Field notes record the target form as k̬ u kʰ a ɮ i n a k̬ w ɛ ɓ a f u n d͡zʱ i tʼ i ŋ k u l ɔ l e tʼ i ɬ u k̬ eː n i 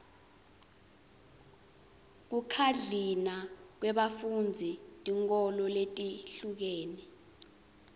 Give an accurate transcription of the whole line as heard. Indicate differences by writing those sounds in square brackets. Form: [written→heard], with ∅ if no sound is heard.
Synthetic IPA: k̬ u kʰ a ɮ i n a k̬ w ɛ ɓ a f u n d͡zʱ i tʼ i ŋ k [u→ɔ] l ɔ l e tʼ i ɬ u k̬ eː n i